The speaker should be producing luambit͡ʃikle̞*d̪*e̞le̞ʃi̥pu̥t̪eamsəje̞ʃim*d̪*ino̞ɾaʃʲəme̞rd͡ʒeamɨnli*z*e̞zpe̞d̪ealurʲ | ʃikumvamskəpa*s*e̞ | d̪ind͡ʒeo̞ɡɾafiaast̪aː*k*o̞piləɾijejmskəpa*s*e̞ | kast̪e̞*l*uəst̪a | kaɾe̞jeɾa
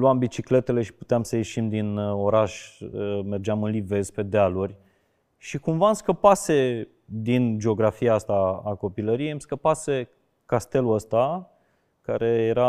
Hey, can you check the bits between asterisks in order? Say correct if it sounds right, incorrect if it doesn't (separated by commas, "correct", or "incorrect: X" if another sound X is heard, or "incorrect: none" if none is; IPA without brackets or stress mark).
incorrect: t̪, correct, incorrect: v, correct, correct, correct, correct